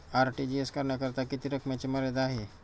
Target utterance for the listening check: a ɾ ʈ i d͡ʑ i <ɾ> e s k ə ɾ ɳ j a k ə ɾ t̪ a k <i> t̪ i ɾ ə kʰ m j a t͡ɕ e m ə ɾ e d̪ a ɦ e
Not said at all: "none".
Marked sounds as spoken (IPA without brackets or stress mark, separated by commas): none, i